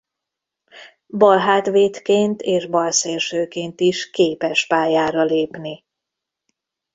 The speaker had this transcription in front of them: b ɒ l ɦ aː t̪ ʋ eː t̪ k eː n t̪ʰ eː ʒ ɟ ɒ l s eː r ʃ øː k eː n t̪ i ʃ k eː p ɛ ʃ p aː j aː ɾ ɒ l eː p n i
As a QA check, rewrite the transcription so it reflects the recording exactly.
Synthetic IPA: b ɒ l ɦ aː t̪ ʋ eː t̪ k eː n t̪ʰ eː ʒ b ɒ l s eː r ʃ øː k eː n t̪ i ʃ k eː p ɛ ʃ p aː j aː ɾ ɒ l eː p n i